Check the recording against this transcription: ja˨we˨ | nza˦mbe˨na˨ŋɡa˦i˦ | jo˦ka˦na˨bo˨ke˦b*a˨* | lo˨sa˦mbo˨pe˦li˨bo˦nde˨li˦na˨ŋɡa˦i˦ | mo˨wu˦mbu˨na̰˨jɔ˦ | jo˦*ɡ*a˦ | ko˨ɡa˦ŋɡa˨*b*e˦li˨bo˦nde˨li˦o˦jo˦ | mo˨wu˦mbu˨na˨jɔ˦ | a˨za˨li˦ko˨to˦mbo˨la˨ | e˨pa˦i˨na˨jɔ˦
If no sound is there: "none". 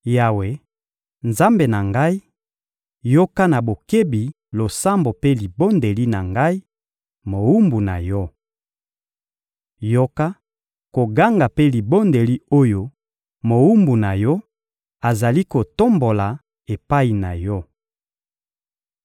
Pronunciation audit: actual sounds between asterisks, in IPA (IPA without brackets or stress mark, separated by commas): i˨, k, p